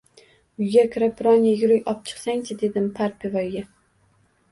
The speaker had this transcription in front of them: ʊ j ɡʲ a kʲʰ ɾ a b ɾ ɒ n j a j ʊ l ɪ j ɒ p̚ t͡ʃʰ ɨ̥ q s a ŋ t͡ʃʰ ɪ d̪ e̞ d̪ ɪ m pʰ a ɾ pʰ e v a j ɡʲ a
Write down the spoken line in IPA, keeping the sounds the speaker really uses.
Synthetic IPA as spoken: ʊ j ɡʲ a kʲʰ ɾ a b ɾ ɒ n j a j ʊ ɾ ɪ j ɒ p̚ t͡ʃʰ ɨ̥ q s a ŋ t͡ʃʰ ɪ d̪ e̞ d̪ ɪ m pʰ a ɾ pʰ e v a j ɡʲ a